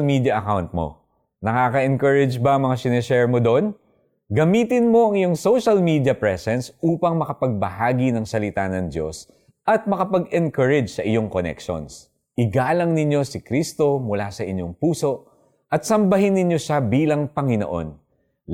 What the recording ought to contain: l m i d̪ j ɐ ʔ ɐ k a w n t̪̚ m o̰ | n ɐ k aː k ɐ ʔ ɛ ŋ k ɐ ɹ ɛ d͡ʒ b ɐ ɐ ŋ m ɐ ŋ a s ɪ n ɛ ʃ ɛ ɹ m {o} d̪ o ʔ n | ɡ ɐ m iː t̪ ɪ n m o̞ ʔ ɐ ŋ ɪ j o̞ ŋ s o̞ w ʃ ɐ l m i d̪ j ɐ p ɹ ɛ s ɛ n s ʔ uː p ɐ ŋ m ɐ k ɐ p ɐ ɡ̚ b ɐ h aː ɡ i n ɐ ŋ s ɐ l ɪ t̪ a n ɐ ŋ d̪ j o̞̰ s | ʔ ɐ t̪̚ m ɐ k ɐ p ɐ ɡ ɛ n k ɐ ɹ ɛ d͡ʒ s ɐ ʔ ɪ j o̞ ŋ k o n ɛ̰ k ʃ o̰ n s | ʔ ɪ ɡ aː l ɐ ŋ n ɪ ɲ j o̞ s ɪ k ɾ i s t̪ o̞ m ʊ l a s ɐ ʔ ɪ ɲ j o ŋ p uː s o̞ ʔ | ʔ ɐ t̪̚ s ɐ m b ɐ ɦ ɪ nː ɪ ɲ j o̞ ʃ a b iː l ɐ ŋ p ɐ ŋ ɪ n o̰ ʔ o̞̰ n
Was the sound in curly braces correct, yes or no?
yes